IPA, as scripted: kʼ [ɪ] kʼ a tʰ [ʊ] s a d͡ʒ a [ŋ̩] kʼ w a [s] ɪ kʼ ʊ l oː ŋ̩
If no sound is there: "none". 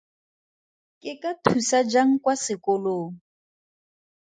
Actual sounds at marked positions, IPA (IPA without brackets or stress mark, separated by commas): ɪ, u, ŋ̩, s